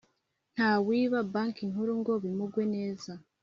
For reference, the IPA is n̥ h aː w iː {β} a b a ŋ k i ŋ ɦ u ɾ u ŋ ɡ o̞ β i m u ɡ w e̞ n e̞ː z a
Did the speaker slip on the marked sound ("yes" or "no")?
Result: no